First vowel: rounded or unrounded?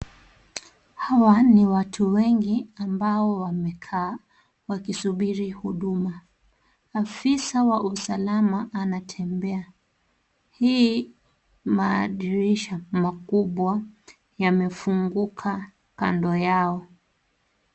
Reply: unrounded